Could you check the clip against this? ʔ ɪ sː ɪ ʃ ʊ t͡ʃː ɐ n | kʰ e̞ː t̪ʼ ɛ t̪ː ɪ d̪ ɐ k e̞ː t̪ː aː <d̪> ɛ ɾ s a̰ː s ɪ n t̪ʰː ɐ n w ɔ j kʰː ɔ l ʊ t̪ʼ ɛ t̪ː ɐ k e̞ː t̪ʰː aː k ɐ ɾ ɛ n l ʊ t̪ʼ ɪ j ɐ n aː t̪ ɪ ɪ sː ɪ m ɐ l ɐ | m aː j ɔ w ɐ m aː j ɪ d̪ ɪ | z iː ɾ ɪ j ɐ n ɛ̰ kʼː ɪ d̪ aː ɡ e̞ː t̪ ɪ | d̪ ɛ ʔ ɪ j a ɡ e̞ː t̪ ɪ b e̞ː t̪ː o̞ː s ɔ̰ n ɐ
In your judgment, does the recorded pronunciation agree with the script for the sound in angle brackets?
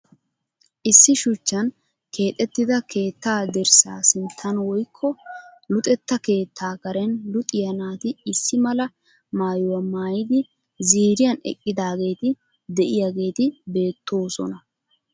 yes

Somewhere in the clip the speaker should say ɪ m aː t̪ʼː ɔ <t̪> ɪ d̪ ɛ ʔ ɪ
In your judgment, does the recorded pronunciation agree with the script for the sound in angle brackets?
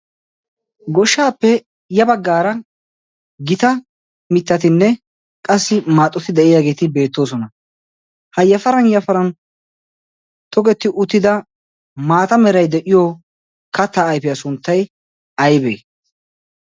yes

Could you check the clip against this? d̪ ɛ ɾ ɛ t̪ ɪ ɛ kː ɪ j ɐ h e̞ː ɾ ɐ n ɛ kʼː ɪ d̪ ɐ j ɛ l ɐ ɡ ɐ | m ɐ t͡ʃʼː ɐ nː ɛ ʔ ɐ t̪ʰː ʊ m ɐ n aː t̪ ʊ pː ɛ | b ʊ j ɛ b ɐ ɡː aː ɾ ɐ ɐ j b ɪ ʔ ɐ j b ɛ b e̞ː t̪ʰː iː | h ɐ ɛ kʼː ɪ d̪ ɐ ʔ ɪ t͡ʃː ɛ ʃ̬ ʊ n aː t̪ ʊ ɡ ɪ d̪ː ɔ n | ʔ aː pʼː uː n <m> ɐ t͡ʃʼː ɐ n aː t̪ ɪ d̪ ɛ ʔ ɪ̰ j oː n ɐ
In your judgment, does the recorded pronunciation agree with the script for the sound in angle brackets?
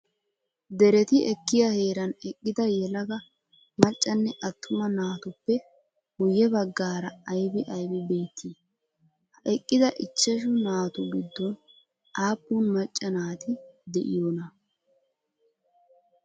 yes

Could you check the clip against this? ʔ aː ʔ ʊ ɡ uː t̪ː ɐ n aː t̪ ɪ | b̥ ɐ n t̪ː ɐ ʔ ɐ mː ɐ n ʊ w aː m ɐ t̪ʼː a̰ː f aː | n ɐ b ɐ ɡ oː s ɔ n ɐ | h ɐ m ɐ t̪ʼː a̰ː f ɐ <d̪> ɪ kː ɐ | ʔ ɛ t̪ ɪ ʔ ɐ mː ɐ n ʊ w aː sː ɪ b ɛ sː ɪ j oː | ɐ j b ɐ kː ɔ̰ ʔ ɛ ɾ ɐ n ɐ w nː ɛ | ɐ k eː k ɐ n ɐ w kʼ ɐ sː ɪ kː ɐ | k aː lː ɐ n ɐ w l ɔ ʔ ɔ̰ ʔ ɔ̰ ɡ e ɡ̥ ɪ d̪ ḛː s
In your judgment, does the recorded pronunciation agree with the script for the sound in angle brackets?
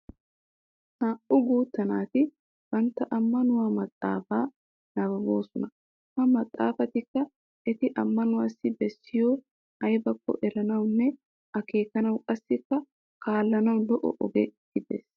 no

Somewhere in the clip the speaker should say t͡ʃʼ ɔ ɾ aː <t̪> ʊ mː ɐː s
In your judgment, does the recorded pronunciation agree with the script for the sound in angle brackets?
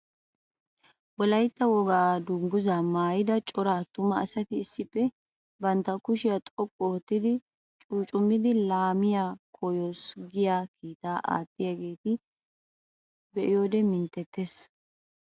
yes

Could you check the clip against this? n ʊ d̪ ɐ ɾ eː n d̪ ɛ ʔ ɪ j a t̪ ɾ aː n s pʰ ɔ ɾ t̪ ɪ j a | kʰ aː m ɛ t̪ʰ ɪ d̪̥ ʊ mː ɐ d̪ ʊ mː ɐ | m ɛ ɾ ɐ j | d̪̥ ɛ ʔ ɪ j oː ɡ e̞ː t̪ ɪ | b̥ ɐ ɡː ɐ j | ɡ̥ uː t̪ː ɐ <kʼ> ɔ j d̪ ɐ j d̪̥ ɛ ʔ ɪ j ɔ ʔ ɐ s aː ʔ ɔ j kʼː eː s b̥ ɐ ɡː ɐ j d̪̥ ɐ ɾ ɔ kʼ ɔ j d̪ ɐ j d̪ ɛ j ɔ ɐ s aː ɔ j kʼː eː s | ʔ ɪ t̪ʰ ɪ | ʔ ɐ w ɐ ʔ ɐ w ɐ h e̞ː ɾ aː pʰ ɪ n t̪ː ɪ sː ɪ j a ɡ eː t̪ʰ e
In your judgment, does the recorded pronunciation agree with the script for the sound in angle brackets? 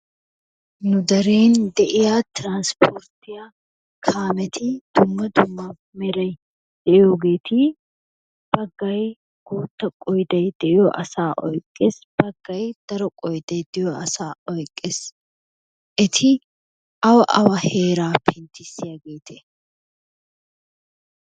yes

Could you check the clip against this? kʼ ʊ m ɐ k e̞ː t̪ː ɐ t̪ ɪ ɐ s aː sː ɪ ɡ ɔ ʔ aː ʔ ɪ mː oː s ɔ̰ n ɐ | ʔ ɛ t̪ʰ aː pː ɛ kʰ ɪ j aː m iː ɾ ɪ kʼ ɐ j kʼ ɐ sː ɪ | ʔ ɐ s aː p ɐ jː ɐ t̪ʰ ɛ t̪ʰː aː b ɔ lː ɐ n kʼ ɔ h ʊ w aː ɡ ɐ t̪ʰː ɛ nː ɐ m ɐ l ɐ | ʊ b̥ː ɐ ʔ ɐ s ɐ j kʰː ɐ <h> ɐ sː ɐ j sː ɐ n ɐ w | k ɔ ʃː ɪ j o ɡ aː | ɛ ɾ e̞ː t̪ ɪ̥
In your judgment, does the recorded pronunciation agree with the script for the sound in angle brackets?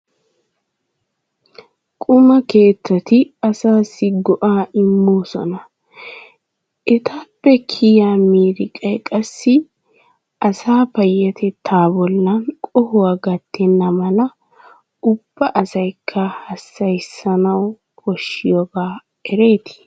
yes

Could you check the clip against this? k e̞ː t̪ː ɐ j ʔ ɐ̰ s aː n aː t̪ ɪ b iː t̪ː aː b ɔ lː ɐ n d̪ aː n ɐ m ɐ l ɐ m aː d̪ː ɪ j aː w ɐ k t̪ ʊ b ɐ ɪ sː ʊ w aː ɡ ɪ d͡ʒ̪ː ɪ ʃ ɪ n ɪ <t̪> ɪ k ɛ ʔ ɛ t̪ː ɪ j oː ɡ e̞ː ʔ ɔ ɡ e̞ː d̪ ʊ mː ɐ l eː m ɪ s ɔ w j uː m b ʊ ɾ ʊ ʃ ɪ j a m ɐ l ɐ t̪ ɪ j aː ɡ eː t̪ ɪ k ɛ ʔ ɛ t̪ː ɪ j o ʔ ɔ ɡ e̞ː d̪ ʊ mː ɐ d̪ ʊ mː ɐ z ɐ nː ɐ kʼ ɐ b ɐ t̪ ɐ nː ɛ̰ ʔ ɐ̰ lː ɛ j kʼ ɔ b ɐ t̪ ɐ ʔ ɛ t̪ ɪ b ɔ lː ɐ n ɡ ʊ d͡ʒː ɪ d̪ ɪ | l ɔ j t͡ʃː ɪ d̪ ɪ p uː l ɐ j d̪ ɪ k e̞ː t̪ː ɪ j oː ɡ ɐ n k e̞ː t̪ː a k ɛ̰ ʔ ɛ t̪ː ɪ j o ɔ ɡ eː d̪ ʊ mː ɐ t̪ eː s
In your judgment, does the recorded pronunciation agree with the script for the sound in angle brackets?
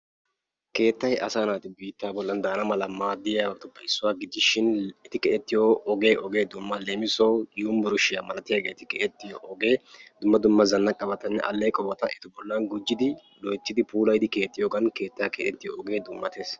yes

